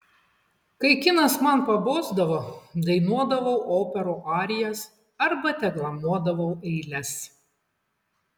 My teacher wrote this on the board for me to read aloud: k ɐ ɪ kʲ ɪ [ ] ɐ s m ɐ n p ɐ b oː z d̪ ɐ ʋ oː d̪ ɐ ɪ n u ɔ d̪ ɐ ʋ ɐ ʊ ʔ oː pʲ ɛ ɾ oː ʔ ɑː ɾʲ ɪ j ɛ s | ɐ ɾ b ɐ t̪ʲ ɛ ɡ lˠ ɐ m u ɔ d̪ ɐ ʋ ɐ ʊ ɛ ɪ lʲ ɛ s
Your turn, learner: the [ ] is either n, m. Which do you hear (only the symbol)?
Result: n